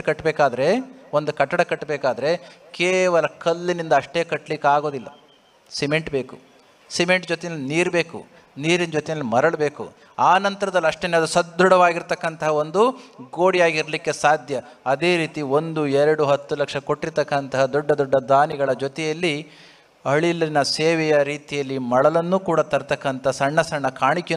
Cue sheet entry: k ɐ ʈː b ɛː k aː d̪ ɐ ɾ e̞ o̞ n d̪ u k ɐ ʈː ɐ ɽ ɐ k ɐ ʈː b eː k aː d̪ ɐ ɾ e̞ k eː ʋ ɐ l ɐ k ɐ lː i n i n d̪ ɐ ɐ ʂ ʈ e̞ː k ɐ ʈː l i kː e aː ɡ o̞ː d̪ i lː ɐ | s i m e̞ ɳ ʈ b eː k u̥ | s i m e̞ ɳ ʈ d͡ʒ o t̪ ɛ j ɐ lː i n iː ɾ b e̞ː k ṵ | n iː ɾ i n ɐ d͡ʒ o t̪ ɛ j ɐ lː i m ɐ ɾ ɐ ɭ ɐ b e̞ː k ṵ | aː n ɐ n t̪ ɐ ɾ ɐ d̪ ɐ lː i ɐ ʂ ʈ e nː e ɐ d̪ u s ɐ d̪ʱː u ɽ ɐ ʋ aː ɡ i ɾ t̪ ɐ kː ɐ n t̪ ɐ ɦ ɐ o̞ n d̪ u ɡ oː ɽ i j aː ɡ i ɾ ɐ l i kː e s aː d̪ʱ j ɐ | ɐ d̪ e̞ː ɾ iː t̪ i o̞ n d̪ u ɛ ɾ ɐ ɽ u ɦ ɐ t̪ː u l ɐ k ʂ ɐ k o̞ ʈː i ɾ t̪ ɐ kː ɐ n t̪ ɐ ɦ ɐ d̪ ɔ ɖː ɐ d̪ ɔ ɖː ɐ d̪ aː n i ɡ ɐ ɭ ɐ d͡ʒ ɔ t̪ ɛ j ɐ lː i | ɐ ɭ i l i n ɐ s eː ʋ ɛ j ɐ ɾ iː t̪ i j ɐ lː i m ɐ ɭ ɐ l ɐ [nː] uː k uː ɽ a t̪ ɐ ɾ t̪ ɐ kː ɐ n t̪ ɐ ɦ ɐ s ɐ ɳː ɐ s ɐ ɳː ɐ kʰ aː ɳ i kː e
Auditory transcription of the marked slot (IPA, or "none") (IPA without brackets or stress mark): nː